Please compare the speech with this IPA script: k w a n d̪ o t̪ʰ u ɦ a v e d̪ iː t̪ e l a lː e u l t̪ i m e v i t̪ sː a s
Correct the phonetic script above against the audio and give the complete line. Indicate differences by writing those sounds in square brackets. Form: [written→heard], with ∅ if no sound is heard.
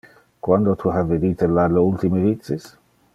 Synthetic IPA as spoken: k w a n d̪ o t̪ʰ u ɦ a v e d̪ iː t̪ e l a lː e u l t̪ i m e v i t̪ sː [a→i] s